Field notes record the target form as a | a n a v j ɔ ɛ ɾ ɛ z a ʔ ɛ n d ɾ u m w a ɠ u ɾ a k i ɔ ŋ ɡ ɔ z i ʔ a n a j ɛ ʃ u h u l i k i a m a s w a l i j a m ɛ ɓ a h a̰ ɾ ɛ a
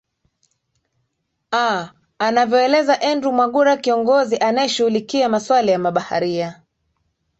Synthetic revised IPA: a | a n a v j ɔ ɛ l ɛ z a ʔ ɛ n d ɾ u m w a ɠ u ɾ a k i ɔ ŋ ɡ ɔ z i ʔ a n a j ɛ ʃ u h u l i k i a m a s w a l i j a m a ɓ a h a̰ ɾ i a